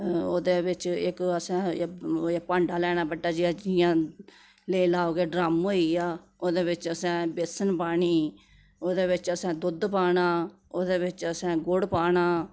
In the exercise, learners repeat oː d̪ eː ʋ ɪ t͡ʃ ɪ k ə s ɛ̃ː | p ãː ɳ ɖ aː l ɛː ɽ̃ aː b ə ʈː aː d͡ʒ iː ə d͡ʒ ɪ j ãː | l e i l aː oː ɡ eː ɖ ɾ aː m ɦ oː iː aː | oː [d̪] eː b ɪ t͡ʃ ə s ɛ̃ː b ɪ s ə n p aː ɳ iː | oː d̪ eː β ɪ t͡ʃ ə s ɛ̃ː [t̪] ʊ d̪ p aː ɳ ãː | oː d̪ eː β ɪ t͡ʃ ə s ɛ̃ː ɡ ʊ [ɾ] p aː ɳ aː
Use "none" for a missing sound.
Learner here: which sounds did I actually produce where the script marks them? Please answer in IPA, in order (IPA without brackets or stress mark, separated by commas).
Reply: d̪, d̪, ɽ